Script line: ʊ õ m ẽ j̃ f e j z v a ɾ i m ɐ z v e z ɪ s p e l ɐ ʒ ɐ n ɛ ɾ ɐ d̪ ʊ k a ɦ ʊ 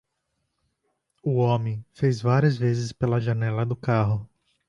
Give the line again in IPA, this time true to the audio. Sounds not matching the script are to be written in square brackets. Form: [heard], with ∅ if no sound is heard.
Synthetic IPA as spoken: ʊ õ m ẽ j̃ f e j z v a ɾ i [∅] ɐ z v e z ɪ s p e l ɐ ʒ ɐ n ɛ [l] ɐ d̪ ʊ k a ɦ ʊ